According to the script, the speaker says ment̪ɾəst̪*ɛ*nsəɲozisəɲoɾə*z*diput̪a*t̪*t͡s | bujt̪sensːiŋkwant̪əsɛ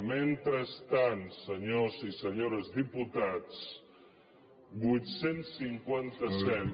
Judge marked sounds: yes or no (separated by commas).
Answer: no, yes, no